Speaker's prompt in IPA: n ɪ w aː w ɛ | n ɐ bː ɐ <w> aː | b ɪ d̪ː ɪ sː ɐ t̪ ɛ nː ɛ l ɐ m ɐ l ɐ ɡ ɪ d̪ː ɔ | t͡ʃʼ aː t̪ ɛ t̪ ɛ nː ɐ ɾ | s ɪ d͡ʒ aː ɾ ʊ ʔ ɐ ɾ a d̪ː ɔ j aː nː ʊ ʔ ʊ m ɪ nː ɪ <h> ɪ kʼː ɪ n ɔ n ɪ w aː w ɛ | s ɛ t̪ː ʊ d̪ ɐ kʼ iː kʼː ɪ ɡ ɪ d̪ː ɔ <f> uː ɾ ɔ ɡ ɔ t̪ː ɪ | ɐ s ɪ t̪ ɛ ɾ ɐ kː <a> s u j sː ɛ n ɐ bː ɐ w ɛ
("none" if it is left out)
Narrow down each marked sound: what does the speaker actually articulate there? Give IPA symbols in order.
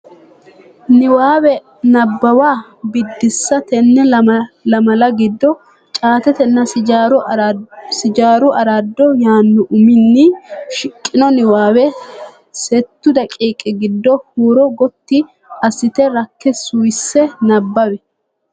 w, ʃ, h, ɛ

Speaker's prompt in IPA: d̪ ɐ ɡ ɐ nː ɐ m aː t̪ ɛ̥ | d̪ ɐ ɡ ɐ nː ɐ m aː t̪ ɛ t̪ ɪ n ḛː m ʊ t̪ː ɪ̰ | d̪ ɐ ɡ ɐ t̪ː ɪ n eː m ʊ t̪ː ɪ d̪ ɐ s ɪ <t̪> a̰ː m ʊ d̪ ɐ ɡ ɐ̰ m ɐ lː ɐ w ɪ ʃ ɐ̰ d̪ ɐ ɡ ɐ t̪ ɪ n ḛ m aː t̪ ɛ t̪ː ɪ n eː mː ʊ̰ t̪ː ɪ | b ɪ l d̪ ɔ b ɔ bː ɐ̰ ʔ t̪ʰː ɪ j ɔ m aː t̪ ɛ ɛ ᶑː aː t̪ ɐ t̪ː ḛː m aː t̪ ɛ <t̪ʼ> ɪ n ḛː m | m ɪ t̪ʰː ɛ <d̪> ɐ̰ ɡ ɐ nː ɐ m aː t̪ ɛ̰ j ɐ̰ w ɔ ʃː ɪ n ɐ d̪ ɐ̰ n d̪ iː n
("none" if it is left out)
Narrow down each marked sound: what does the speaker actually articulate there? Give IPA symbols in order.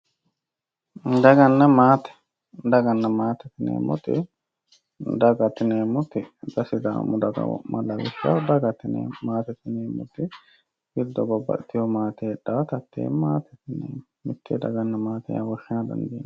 d̪, t̪, d̪

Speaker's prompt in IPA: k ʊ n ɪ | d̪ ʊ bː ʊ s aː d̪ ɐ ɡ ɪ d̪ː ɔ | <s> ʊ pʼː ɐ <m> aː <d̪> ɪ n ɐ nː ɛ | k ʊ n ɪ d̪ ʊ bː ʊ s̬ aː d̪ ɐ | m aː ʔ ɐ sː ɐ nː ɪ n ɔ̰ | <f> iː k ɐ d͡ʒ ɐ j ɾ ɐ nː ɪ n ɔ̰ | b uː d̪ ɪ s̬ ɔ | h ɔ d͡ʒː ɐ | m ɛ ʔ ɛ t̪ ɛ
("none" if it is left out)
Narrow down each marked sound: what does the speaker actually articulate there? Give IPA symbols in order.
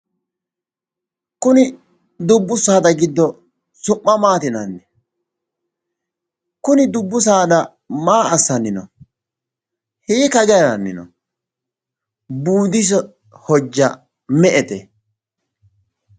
s, m, t̪, h

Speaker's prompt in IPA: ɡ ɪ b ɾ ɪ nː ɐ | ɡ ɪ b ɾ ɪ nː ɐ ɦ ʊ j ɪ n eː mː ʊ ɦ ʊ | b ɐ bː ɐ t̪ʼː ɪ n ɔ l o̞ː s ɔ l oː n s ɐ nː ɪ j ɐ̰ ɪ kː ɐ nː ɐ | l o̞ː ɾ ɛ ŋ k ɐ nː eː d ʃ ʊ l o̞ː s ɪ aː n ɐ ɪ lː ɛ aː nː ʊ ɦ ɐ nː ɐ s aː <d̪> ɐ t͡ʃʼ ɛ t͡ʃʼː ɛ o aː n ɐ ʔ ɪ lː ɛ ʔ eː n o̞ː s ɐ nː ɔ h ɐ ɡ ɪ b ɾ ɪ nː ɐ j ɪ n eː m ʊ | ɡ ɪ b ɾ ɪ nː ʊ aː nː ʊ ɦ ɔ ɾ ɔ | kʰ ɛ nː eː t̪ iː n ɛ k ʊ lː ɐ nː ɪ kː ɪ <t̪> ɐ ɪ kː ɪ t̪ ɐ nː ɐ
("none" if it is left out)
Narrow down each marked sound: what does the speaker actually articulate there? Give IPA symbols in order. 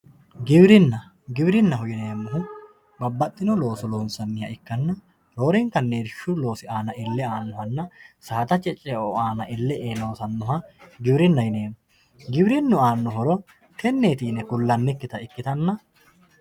t̪, t̪

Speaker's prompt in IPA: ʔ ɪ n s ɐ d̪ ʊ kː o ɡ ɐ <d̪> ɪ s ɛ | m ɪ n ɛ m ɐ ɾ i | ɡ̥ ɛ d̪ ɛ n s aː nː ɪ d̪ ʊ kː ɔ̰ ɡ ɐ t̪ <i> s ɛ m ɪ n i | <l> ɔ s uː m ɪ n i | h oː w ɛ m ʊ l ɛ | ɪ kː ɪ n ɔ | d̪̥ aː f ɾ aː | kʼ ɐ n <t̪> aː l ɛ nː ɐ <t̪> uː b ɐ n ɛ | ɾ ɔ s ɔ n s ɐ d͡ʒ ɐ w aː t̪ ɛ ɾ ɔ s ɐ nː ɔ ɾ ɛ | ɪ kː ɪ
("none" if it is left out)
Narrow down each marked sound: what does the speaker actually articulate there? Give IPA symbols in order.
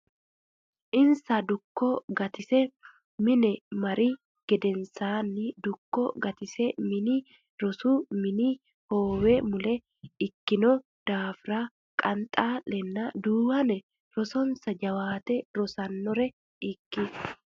t̪, ɪ, ɾ, t̪ʼ, d̪

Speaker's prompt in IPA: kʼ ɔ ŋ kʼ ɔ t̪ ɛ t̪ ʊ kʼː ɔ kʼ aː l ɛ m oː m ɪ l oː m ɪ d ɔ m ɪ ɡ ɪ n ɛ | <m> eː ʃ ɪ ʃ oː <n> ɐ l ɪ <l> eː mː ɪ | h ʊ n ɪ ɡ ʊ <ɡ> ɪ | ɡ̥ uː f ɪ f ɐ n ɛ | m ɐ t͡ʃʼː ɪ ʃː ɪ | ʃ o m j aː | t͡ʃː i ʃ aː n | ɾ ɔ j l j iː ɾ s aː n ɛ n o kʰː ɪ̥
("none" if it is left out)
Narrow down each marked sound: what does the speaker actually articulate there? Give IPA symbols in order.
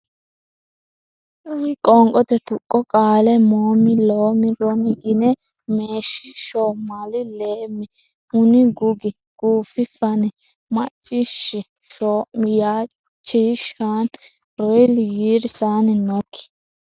m, m, l, ɡ

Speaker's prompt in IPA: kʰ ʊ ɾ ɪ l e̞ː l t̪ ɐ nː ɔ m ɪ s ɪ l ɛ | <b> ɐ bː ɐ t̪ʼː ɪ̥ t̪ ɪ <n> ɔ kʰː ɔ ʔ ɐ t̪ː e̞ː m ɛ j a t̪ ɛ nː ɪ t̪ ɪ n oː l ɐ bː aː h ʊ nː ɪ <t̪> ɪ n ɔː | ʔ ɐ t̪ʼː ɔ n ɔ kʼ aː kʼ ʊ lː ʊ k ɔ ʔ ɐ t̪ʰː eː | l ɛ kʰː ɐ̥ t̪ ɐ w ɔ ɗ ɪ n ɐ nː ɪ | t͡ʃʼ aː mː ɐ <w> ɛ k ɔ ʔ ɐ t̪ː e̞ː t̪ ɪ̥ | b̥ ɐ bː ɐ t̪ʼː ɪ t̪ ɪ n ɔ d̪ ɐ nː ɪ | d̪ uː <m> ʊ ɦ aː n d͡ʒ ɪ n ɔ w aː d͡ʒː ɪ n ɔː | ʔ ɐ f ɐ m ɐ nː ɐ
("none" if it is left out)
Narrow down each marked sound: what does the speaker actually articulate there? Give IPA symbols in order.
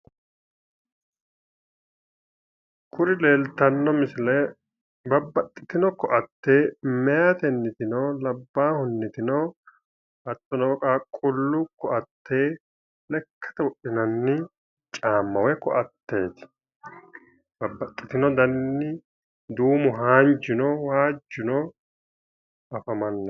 b, n, t̪, w, m

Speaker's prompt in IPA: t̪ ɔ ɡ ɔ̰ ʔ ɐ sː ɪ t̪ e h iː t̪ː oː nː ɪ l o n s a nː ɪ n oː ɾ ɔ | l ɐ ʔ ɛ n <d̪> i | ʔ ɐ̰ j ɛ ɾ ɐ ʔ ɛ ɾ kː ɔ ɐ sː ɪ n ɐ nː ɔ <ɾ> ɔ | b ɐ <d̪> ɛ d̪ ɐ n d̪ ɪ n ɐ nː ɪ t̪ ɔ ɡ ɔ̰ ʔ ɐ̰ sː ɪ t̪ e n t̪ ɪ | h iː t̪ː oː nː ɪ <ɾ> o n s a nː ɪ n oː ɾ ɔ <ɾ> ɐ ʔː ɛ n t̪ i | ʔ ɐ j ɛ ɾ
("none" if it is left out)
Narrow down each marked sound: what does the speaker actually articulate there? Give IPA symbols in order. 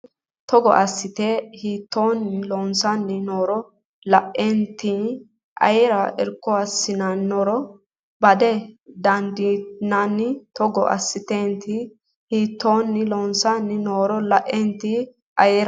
t̪, ɾ, d̪, l, l

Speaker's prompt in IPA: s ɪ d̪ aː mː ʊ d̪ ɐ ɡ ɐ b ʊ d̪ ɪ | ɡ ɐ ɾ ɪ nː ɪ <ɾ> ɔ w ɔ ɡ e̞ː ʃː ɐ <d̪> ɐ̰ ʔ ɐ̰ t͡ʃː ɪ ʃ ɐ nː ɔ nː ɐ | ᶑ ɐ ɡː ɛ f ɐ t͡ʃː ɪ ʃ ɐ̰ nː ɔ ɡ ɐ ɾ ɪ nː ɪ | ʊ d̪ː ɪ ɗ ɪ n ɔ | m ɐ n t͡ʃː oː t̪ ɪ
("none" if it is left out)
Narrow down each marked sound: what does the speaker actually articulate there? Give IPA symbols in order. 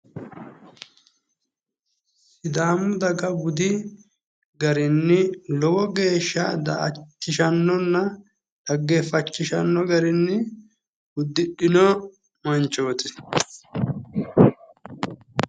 l, d̪

